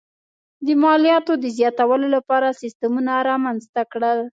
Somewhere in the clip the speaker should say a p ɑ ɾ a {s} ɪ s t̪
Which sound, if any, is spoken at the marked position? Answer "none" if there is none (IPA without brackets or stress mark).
s